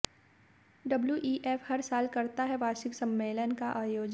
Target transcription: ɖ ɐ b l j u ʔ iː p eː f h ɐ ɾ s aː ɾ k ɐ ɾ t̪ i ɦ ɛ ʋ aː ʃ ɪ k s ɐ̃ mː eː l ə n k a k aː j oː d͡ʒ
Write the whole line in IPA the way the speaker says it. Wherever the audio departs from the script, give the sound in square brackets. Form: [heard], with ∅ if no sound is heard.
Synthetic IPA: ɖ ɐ b l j u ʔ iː [ʔ] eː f h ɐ ɾ s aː [l] k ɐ ɾ t̪ [a] ɦ ɛ ʋ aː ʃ ɪ k s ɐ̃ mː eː l ə n k a [ʔ] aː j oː d͡ʒ